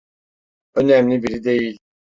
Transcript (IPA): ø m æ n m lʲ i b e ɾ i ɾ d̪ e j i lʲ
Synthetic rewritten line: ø n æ m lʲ i b i ɾ i d̪ e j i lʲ